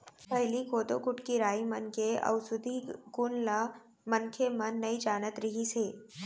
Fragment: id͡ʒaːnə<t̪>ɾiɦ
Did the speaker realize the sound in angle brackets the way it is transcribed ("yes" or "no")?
yes